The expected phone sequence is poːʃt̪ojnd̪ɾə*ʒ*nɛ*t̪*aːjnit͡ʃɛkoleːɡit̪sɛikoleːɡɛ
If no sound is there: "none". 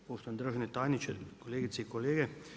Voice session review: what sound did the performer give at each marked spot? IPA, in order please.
ʒ, t̪

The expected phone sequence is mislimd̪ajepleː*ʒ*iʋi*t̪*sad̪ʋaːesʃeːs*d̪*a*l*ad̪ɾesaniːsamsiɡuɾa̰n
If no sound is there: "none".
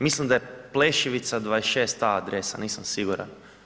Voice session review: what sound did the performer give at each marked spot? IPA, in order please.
ʃ, t̪, t̪, none

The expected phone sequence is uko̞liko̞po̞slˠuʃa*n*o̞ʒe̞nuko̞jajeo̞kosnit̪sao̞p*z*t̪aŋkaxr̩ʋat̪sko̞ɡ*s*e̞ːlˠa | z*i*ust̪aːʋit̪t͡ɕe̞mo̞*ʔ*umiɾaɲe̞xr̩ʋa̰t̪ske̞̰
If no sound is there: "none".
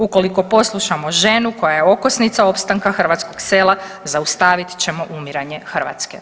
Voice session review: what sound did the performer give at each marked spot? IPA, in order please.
m, s, s, a, ʔ

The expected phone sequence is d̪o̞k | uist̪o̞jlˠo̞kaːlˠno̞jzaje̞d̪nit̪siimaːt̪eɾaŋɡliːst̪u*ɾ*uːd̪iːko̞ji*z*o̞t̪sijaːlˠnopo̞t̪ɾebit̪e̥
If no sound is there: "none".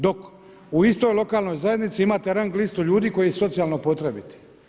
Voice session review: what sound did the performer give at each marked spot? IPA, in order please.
ʎ, s

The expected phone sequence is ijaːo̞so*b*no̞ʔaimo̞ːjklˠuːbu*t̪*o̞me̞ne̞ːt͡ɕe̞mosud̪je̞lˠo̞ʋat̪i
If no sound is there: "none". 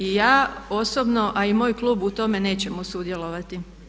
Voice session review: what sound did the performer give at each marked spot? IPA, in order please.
b, t̪

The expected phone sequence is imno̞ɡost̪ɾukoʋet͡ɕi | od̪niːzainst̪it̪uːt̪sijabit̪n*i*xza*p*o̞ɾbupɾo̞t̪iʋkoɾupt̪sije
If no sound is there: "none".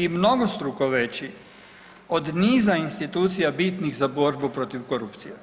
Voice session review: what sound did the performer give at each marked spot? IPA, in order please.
i, b

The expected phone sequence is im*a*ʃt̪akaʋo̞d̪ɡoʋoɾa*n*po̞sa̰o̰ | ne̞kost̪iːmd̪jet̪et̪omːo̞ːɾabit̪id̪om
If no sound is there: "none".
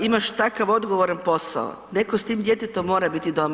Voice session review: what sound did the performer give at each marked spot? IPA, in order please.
a, n

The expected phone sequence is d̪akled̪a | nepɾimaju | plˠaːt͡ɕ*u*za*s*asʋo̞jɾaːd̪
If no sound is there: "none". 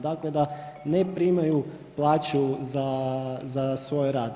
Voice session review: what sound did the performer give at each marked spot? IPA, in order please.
u, z

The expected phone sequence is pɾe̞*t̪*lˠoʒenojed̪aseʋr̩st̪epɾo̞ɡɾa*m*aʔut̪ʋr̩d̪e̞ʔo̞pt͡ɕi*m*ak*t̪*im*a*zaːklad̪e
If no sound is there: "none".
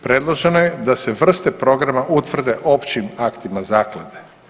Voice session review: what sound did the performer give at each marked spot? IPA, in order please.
d̪, m, m, t̪, a

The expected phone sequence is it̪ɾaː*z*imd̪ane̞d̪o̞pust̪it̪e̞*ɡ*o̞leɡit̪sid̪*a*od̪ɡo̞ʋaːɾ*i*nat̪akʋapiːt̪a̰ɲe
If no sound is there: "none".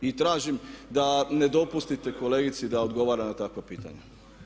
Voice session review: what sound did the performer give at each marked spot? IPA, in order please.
ʒ, k, a, a

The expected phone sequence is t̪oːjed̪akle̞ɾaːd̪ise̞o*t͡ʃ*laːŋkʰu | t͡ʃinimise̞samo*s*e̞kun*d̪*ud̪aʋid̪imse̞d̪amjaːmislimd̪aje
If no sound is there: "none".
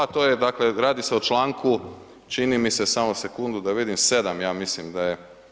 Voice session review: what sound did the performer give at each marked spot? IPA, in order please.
t͡ʃ, s, d̪

